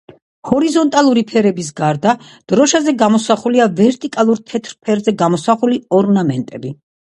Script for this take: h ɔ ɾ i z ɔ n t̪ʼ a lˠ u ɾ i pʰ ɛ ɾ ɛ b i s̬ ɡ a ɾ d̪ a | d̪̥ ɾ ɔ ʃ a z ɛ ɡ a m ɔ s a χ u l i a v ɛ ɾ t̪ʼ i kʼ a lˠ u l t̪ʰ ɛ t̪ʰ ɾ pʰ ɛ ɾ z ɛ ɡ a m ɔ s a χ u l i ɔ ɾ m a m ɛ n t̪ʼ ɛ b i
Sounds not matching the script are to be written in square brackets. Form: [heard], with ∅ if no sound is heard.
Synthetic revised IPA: h ɔ ɾ i z ɔ n t̪ʼ a lˠ u ɾ i pʰ ɛ ɾ ɛ b i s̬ ɡ a ɾ d̪ a | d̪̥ ɾ ɔ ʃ a z ɛ ɡ a m ɔ s a χ u l i a v ɛ ɾ t̪ʼ i kʼ a lˠ u [ɾ] t̪ʰ ɛ t̪ʰ ɾ pʰ ɛ ɾ z ɛ ɡ a m ɔ s a χ u l i ɔ ɾ [n] a m ɛ n t̪ʼ ɛ b i